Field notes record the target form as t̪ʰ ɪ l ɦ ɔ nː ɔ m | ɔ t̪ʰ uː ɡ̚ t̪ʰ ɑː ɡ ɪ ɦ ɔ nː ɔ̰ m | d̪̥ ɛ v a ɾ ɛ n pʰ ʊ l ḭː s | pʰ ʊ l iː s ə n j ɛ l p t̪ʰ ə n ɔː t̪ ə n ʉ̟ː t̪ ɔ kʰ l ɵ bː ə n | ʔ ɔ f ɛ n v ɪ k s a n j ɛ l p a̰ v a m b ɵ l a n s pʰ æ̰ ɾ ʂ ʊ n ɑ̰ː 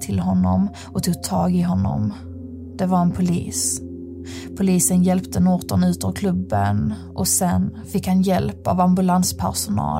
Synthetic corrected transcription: t̪ʰ ɪ l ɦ ɔ nː ɔ m | ɔ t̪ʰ uː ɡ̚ t̪ʰ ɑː ɡ ɪ ɦ ɔ nː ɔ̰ m | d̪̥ ɛ v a ɾ ɛ n pʰ ʊ l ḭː s | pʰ ʊ l iː s ə n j ɛ l p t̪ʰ ə n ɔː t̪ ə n ʉ̟ː t̪ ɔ kʰ l ɵ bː ə n | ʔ ɔ s ɛ n f ɪ k h a n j ɛ l p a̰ v a m b ɵ l a n s pʰ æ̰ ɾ ʂ ʊ n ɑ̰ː